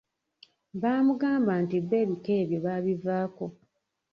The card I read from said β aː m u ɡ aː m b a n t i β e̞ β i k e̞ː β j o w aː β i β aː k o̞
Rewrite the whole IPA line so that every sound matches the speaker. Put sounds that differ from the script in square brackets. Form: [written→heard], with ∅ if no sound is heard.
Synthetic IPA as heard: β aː m u ɡ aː m b a n t i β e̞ β i k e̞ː β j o [w→β] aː β i [β→v] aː k o̞